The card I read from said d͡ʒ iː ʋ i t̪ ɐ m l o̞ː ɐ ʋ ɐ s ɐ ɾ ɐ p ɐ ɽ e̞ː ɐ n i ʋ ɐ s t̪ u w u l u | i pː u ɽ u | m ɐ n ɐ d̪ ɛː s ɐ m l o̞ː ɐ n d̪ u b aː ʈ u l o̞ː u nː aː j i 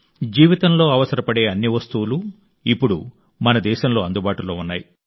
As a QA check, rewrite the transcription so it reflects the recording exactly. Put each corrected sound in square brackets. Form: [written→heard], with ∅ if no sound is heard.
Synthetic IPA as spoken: d͡ʒ iː ʋ i t̪ ɐ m l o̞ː ɐ ʋ ɐ s ɐ ɾ ɐ p ɐ ɽ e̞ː ɐ [n→nː] i ʋ ɐ s t̪ u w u l u | i pː u ɽ u | m ɐ n ɐ d̪ ɛː [s→ʃ] ɐ m l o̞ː ɐ n d̪ u b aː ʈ u l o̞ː u nː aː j i

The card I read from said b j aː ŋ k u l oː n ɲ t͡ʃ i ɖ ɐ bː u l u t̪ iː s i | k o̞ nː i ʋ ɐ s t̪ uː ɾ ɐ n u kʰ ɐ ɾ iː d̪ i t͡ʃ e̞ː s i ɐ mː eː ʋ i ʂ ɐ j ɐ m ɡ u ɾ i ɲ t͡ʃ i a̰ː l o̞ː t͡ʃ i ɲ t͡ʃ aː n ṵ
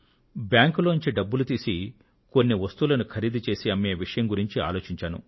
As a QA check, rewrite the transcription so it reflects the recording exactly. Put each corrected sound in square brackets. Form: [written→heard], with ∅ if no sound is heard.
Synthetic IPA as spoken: b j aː ŋ k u l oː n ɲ t͡ʃ i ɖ ɐ bː u l u t̪ iː s i | k o̞ nː i ʋ ɐ s t̪ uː [ɾ→l] ɐ n u kʰ ɐ ɾ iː d̪ i t͡ʃ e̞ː s i ɐ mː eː ʋ i ʂ ɐ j ɐ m ɡ u ɾ i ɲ t͡ʃ i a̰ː l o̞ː t͡ʃ i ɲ t͡ʃ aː n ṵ

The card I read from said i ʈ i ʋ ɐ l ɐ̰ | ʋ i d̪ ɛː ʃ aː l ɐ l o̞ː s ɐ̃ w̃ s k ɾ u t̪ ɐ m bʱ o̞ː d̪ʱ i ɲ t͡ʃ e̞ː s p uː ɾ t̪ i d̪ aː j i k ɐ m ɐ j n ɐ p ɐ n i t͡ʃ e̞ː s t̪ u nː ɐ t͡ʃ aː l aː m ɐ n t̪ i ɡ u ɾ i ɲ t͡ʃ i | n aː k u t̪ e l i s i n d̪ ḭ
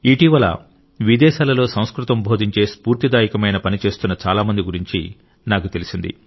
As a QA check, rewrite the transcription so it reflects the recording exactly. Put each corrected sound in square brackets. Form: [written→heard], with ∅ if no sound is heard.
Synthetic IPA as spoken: i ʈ i ʋ ɐ l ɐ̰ | ʋ i d̪ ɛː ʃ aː l ɐ l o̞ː s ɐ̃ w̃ s k ɾ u t̪ ɐ m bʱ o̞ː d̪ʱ i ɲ t͡ʃ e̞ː s p uː ɾ t̪ i d̪ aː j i k ɐ m ɐ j n ɐ p ɐ n i t͡ʃ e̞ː s t̪ u nː ɐ t͡ʃ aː l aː m ɐ n [t̪→d̪] i ɡ u ɾ i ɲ t͡ʃ i | n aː k u t̪ e l i s i n d̪ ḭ

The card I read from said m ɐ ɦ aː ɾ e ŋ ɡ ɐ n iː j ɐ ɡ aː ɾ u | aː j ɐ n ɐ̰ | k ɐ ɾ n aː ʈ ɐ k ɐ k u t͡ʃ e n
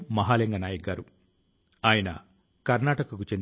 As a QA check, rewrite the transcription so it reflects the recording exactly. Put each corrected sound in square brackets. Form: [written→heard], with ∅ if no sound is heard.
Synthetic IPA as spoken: m ɐ ɦ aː [ɾ→l] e ŋ ɡ ɐ n [iː→aː] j ɐ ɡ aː ɾ u | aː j ɐ n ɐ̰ | k ɐ ɾ n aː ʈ ɐ k ɐ k u t͡ʃ e n

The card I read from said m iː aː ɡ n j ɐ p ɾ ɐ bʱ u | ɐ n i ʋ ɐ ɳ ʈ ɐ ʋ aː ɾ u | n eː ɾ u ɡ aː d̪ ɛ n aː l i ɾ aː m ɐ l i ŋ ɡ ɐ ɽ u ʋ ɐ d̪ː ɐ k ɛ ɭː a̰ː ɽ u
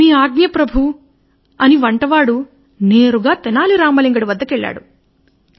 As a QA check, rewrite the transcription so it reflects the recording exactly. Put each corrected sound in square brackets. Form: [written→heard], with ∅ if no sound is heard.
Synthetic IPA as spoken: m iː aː ɡ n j ɐ p ɾ ɐ bʱ u | ɐ n i ʋ ɐ ɳ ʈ ɐ ʋ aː [ɾ→ɽ] u | n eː ɾ u ɡ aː [d̪→t̪] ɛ n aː l i ɾ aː m ɐ l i ŋ ɡ ɐ ɽ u ʋ ɐ d̪ː ɐ k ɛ ɭː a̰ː ɽ u

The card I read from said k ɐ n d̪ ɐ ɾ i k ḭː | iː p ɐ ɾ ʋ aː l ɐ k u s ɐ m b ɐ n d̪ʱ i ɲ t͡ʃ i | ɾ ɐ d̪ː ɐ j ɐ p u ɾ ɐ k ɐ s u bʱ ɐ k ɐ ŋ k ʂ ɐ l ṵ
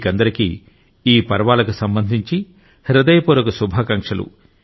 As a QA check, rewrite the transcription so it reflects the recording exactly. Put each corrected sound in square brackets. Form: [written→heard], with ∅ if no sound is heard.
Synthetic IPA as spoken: k ɐ n d̪ ɐ ɾ i k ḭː | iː p ɐ ɾ ʋ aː l ɐ k u s ɐ m b ɐ n d̪ʱ i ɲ t͡ʃ i | ɾ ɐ [d̪ː→d̪] ɐ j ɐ p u ɾ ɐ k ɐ s u bʱ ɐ k ɐ ŋ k ʂ ɐ l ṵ

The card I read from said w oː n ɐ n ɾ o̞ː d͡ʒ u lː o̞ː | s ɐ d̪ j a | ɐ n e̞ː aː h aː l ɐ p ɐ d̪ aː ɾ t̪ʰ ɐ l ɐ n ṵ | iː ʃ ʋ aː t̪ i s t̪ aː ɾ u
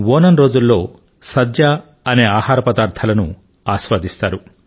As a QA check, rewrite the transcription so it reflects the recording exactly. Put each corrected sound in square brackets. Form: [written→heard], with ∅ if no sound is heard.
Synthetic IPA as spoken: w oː n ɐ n ɾ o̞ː d͡ʒ u lː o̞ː | s ɐ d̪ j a | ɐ n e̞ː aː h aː [l→ɾ] ɐ p ɐ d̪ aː ɾ t̪ʰ ɐ l ɐ n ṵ | [iː→aː] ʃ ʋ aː [t̪→d̪] i s t̪ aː ɾ u

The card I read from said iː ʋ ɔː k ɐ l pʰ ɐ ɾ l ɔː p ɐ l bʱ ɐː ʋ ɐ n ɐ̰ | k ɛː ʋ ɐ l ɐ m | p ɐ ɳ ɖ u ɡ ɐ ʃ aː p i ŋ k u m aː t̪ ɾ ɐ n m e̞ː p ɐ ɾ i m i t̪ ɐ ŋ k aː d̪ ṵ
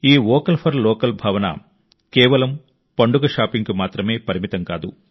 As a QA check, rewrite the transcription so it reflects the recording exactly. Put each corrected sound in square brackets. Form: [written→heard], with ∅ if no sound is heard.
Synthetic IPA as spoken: iː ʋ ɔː k ɐ l pʰ ɐ ɾ l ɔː [p→k] ɐ l bʱ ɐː ʋ ɐ n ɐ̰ | k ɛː ʋ ɐ l ɐ m | p ɐ ɳ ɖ u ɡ ɐ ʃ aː p i ŋ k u m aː t̪ ɾ ɐ [n→∅] m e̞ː p ɐ ɾ i m i t̪ ɐ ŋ k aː d̪ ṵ

